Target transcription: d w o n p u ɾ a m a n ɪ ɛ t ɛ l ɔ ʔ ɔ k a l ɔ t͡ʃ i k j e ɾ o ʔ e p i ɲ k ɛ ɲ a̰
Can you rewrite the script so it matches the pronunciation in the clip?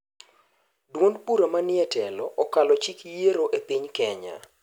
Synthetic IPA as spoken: d w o n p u ɾ a m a n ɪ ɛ t ɛ l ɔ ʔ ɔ k a l ɔ t͡ʃ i k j e ɾ o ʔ e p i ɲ k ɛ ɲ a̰